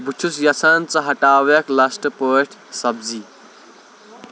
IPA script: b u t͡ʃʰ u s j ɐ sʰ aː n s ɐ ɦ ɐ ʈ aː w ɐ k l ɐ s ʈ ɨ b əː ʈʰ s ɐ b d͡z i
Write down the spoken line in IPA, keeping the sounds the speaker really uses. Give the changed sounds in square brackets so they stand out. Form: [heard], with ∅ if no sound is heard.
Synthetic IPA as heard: b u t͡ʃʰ u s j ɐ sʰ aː n [t͡s] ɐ ɦ ɐ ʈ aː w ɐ k l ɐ s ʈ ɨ [p] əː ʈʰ s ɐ b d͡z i

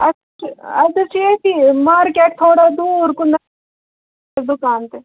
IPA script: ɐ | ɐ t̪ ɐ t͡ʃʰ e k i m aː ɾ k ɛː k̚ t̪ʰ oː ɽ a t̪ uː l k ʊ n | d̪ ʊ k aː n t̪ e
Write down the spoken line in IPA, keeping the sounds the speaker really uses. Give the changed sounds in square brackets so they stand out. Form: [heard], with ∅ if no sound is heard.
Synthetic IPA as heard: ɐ | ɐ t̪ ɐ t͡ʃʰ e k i m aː ɾ k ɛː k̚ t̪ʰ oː ɽ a [d̪] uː [ɾ] k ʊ n | d̪ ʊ k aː n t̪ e

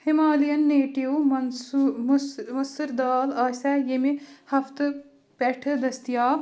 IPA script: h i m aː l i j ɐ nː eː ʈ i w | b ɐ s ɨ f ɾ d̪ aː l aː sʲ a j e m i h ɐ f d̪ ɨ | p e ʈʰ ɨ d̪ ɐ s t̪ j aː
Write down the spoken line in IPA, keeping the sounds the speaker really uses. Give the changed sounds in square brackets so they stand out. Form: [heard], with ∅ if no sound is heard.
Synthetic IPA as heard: h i m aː l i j ɐ nː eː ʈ i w | [m] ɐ s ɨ [∅] ɾ d̪ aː l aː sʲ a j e m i h ɐ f [t̪] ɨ | p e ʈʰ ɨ d̪ ɐ s t̪ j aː

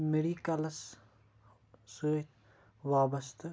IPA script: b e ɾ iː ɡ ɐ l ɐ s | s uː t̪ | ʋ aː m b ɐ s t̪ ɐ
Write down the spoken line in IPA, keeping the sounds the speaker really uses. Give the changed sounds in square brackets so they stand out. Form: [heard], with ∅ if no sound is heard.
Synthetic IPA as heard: [m] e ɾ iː [k] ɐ l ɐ s | s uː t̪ | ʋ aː [∅] b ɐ s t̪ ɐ

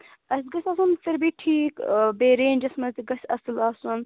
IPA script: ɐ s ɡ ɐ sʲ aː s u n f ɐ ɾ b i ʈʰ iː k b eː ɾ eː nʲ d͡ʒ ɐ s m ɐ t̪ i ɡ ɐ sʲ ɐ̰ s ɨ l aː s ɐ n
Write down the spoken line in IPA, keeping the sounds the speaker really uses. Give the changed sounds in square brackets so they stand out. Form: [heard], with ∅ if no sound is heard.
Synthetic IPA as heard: ɐ s ɡ ɐ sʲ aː s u n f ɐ ɾ b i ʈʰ iː k b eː ɾ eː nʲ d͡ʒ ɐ s m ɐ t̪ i ɡ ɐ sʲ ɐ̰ s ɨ l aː s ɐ n

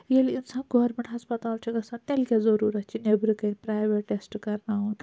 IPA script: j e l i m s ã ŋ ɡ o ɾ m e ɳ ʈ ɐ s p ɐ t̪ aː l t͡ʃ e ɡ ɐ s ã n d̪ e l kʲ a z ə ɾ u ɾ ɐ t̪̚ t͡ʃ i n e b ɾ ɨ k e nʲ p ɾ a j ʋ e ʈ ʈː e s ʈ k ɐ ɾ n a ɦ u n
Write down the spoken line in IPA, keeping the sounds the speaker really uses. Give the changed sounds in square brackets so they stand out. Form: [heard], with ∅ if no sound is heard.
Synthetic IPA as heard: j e l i [n] s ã [n] ɡ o ɾ m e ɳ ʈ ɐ s p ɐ t̪ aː l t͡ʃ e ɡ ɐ s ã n [t̪] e l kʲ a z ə ɾ u ɾ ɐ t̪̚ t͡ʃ i n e b ɾ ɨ k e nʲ p ɾ a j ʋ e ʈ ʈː e s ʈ k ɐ ɾ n a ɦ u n

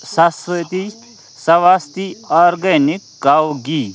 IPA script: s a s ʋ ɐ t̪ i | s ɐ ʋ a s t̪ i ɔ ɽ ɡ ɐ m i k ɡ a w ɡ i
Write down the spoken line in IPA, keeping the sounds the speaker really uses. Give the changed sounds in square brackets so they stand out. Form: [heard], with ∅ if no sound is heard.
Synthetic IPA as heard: s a s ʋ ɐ t̪ i | s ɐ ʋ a s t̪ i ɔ [ɾ] ɡ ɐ [n] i k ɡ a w ɡ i

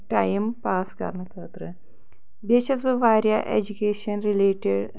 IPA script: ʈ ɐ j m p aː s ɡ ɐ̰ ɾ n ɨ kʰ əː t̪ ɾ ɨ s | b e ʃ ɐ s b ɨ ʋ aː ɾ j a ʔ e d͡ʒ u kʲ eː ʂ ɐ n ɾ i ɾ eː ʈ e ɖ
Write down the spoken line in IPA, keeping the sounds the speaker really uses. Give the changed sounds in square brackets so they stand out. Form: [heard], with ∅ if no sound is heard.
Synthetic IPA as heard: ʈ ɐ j m p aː s [k] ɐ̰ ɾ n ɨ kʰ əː t̪ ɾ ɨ [∅] | b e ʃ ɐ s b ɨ ʋ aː ɾ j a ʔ e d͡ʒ u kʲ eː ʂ ɐ n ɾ i [l] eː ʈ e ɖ

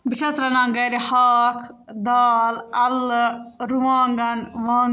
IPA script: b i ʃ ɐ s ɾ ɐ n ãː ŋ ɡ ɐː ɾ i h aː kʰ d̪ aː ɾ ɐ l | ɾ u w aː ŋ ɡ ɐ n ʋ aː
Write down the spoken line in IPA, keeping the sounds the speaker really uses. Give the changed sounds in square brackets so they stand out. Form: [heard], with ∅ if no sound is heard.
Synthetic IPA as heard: b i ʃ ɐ s ɾ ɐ n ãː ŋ ɡ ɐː ɾ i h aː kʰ d̪ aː [l] ɐ l | ɾ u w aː ŋ ɡ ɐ n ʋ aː

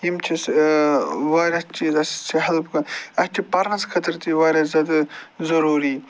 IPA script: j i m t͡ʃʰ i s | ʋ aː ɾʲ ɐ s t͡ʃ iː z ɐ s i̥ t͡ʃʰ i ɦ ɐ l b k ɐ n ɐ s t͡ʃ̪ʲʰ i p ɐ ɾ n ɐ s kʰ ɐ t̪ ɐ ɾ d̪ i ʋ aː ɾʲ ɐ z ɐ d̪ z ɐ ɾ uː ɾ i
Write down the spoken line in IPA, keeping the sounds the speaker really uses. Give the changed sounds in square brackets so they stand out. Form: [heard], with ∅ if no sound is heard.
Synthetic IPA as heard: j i m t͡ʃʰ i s | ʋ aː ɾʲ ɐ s t͡ʃ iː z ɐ s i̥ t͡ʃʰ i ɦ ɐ l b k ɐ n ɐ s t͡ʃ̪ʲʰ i p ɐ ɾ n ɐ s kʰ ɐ t̪ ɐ ɾ [t̪] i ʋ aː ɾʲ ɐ z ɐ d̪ z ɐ ɾ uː ɾ i

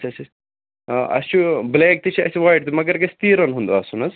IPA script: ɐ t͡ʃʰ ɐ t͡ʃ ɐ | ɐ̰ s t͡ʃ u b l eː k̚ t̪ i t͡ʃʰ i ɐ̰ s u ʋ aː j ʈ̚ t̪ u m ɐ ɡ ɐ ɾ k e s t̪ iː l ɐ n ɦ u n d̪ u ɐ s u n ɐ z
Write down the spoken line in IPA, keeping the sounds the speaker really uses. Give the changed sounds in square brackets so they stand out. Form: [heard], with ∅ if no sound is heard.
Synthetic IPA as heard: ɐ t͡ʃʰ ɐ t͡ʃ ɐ | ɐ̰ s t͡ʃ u b l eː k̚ t̪ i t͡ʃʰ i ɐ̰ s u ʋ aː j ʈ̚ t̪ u m ɐ ɡ ɐ ɾ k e s t̪ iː [ɾ] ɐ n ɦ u n d̪ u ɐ s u n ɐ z

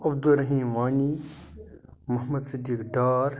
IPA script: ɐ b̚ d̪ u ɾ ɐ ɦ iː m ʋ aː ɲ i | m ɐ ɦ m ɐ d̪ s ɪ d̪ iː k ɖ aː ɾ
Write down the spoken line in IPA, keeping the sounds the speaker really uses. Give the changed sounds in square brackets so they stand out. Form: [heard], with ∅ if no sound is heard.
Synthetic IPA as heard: ɐ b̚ d̪ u ɾ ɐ ɦ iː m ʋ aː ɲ i | m ɐ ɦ m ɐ d̪ s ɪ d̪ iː k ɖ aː ɾ

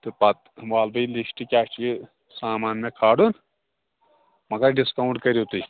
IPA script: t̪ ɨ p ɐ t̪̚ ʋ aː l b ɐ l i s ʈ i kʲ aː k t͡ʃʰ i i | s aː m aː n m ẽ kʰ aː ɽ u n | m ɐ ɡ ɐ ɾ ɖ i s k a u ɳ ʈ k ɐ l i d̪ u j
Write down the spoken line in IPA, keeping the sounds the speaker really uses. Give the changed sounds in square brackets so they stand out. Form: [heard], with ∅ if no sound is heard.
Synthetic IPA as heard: t̪ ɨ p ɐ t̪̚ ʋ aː l b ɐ l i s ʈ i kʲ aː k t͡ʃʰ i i | s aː m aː n m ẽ kʰ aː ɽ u n | m ɐ ɡ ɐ ɾ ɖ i s k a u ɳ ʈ k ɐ [ɾ] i [t̪] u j

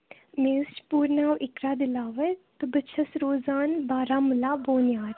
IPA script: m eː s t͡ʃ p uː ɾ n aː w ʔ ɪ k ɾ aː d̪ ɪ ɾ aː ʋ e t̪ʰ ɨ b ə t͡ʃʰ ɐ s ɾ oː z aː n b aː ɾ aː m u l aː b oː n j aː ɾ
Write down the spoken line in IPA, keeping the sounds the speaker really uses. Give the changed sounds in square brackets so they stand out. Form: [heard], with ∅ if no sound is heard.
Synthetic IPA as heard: m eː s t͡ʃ p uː ɾ n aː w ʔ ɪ k ɾ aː d̪ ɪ [l] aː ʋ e [t̪] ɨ b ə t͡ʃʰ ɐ s ɾ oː z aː n b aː ɾ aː m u l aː b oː n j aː ɾ

